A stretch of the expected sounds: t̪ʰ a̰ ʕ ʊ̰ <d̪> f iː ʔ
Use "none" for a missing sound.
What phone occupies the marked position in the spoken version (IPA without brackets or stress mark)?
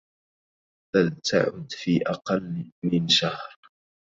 d̪